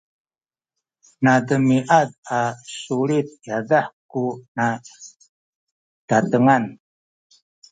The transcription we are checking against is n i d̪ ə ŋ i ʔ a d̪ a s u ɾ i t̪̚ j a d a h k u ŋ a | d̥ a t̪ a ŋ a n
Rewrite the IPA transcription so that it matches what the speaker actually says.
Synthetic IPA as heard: n a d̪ ə m i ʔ a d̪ a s u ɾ i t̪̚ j a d a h k u n a | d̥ a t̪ ə ŋ a n